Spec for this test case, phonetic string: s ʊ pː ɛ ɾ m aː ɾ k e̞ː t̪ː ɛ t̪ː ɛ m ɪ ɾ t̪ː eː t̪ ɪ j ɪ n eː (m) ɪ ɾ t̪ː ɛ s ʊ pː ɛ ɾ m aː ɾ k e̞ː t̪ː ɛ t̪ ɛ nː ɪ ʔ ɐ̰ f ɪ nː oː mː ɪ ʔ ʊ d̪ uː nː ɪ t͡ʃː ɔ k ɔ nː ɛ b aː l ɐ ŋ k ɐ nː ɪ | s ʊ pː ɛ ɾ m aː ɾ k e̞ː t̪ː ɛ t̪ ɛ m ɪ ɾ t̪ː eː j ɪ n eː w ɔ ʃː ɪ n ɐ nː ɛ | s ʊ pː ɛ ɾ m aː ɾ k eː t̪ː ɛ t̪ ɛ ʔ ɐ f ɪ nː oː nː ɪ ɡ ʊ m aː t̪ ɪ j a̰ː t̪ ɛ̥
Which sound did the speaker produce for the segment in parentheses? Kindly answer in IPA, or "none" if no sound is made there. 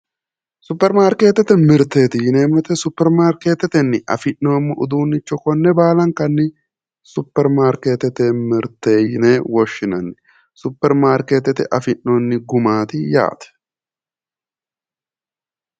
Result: m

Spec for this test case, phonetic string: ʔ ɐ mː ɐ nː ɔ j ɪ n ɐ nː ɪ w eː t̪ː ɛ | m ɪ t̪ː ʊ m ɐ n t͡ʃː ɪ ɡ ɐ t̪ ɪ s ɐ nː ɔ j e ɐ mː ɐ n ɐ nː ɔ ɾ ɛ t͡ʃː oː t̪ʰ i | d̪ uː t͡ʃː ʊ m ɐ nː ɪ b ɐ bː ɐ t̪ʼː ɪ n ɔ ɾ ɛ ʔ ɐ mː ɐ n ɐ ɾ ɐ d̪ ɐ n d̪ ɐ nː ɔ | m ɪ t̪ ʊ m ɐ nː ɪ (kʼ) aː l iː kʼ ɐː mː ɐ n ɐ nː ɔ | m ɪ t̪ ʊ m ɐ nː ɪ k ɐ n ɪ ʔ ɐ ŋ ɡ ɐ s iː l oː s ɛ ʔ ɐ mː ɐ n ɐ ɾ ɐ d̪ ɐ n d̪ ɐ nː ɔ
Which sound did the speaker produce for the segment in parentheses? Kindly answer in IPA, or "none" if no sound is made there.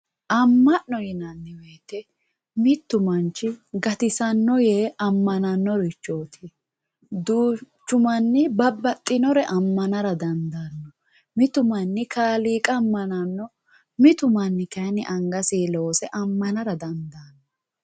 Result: k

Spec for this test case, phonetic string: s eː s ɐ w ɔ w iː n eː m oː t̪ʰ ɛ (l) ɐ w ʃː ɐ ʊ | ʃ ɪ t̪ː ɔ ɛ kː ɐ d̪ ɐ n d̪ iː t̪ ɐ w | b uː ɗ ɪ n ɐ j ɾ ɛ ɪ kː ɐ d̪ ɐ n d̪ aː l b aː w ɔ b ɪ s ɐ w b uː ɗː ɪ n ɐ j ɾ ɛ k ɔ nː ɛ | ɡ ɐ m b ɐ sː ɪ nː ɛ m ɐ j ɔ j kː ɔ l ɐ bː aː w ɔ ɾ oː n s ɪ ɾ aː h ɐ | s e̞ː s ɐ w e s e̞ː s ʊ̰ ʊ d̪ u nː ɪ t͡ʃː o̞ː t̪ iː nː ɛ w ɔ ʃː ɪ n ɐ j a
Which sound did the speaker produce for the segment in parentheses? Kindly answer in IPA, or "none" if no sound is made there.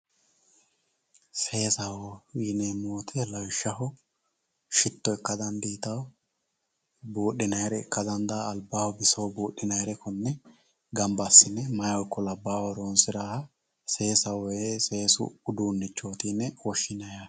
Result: l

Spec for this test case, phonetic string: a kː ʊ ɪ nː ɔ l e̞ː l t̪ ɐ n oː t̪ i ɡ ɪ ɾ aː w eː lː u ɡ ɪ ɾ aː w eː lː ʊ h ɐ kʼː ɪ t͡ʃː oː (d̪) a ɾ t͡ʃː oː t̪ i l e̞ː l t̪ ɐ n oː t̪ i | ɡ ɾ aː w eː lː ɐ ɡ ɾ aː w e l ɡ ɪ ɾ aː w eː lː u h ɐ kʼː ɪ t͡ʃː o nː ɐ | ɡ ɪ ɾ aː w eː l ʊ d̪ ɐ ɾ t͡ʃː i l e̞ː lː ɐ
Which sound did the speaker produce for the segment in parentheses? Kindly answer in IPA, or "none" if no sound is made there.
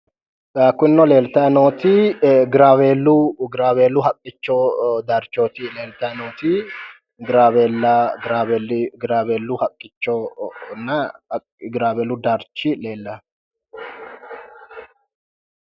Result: d̪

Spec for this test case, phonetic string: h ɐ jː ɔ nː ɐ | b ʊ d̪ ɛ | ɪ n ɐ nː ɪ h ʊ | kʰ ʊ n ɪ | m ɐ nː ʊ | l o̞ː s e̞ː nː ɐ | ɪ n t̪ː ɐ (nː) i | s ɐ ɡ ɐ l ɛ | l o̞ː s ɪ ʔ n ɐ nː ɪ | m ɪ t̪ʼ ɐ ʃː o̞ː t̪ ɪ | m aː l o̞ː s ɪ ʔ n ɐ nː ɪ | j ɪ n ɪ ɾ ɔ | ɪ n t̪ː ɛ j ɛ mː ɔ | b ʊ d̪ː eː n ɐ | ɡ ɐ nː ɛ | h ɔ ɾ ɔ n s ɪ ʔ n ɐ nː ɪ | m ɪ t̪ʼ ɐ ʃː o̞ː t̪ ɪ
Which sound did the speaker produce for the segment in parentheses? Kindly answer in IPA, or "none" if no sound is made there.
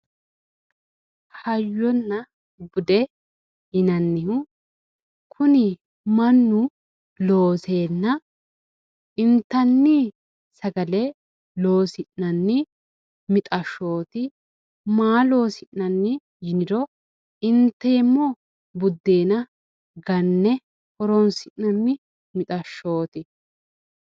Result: nː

